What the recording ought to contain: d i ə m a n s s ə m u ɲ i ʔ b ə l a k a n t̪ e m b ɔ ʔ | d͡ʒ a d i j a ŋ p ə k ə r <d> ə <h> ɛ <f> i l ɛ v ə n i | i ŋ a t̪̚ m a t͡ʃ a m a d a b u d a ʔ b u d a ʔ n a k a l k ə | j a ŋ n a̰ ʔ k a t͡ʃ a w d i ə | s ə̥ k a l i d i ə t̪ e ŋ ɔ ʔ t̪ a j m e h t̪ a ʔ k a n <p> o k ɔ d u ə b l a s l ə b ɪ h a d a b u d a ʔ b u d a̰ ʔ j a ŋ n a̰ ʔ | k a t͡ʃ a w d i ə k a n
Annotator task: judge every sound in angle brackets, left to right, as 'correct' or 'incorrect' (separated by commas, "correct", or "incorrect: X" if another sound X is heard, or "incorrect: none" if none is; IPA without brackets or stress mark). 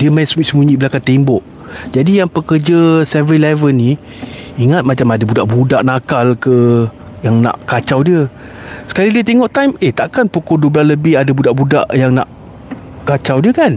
incorrect: d͡ʒ, incorrect: s, incorrect: v, correct